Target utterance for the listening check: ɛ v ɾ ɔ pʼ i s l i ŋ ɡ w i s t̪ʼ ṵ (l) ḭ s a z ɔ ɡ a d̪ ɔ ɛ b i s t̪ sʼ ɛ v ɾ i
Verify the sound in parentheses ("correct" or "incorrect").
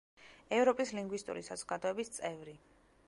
incorrect